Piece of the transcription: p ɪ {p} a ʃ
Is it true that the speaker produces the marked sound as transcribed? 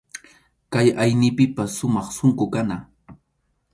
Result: yes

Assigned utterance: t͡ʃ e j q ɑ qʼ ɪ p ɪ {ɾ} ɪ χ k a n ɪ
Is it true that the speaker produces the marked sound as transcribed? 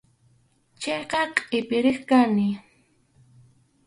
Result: yes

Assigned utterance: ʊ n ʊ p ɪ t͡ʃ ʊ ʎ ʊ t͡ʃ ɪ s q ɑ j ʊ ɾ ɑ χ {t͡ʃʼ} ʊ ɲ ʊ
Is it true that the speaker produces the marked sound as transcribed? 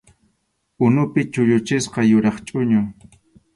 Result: yes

